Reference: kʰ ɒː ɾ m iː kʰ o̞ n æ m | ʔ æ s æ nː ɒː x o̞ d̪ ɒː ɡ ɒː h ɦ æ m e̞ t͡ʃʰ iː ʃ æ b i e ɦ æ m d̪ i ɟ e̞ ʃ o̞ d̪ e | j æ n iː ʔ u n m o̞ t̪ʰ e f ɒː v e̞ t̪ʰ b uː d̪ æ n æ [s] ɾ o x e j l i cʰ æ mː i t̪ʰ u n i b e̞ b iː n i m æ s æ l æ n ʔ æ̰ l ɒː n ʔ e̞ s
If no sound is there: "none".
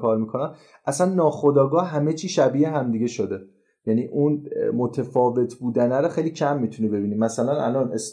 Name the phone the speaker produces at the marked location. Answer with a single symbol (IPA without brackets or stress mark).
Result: none